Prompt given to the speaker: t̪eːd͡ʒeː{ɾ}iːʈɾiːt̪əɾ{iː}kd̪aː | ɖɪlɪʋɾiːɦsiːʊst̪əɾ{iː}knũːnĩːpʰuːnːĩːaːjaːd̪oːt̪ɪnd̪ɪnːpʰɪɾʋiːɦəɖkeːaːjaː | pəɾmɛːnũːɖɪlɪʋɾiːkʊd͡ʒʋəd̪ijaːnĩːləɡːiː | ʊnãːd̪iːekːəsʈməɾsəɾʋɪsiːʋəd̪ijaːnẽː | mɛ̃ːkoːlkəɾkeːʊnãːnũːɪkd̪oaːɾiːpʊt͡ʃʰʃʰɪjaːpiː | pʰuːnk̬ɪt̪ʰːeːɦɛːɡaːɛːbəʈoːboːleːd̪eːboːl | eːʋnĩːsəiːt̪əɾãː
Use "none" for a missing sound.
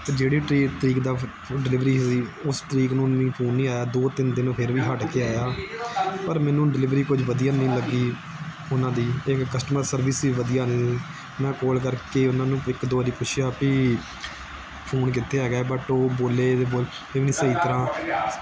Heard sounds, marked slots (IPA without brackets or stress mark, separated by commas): ɽ, iː, iː